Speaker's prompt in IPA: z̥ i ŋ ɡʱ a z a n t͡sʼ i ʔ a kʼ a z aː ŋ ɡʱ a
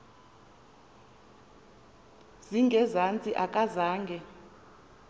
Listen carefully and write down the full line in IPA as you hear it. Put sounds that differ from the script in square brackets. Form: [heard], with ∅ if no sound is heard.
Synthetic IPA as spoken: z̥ i ŋ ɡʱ [ɛ] z a n t͡sʼ i ʔ a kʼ a z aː ŋ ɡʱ [ɛ]